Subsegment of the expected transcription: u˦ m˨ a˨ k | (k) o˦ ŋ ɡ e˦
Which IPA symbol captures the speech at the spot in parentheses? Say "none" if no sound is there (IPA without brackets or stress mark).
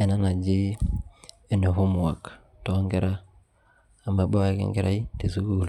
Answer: t